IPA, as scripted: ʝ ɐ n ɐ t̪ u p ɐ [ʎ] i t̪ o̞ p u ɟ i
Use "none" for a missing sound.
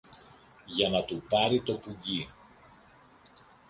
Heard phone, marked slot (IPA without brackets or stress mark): ɾ